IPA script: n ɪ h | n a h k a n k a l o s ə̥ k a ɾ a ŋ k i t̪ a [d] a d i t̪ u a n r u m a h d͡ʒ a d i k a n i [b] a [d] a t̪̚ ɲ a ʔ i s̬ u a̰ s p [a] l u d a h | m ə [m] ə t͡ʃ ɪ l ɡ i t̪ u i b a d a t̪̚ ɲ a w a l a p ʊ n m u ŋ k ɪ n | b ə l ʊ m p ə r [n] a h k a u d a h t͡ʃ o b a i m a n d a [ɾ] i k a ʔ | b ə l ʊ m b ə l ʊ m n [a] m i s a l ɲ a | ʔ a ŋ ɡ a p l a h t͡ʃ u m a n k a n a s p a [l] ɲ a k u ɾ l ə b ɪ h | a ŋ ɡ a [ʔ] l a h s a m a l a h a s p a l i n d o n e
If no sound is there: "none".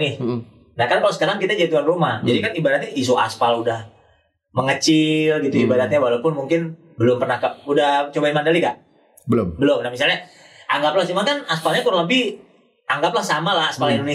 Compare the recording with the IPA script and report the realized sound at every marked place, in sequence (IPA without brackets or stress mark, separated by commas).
d͡ʒ, b, d, a, ŋ, n, l, a, l, p